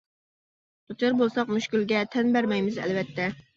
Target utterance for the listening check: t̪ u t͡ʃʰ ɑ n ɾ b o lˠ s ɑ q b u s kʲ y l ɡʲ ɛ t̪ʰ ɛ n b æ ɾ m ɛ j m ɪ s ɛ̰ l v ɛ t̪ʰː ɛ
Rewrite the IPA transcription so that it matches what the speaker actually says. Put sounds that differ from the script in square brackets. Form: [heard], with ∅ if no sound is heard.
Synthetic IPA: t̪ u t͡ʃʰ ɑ [∅] ɾ b o lˠ s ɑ q [m] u [ʃ] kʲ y l ɡʲ ɛ t̪ʰ ɛ n b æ ɾ m ɛ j m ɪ [z] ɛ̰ l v ɛ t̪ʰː ɛ